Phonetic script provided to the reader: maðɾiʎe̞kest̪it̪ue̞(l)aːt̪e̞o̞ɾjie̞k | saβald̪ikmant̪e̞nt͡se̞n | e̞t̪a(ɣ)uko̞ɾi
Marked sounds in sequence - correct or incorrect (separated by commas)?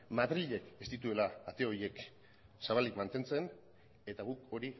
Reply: correct, correct